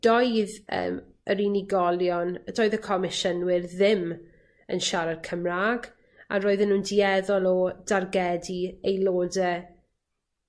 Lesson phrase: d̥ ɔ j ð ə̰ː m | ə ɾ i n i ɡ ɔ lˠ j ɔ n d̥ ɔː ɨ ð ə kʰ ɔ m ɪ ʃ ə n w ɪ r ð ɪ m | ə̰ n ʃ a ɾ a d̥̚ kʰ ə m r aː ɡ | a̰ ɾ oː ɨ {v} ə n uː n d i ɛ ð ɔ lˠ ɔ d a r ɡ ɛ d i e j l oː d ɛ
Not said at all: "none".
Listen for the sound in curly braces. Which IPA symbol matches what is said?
ð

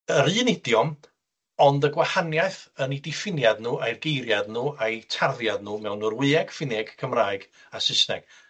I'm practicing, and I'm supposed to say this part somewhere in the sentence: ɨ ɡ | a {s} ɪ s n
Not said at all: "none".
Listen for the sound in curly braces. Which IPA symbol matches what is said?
s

